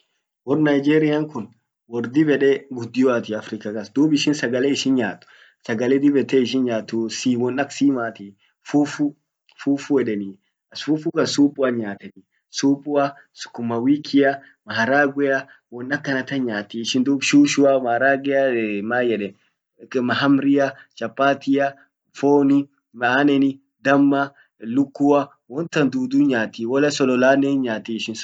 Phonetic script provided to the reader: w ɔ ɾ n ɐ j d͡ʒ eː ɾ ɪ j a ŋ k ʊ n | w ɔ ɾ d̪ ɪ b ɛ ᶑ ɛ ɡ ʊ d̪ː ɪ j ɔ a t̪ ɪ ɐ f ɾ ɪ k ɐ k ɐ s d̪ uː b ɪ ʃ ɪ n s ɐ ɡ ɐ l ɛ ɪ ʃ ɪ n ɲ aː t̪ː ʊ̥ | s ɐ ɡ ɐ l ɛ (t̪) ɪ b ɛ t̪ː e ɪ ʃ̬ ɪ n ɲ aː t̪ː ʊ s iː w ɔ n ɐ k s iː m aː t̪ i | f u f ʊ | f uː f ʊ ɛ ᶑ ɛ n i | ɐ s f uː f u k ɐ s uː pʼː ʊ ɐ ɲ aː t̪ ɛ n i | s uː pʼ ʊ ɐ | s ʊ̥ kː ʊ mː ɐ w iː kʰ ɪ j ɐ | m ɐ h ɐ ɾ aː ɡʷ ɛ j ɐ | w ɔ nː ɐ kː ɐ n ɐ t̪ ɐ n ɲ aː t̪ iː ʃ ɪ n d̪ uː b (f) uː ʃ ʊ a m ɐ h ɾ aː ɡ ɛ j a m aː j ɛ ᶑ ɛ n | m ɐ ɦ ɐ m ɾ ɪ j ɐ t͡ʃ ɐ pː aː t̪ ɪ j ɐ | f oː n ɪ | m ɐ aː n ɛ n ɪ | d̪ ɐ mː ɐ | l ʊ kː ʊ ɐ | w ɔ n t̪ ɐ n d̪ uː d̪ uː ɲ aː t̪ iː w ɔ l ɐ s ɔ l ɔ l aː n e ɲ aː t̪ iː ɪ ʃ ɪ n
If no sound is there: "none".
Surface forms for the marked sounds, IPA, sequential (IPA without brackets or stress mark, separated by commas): d̪, ʃ